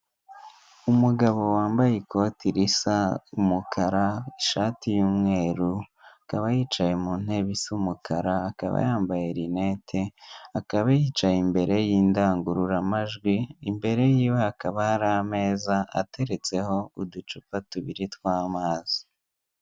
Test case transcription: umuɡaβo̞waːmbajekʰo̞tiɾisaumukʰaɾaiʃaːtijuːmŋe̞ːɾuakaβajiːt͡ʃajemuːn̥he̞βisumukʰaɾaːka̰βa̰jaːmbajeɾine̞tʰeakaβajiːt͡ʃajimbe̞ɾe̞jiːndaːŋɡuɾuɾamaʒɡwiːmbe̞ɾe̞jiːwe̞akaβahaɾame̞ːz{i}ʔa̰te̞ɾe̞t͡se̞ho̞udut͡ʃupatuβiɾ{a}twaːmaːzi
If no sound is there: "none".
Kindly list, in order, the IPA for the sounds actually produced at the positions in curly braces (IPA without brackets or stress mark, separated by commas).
a, i